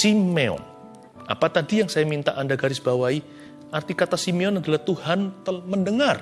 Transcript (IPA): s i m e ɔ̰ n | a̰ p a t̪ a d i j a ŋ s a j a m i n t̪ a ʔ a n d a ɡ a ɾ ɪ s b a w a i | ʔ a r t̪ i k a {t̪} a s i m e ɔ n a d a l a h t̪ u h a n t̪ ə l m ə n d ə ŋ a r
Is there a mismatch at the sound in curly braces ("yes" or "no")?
no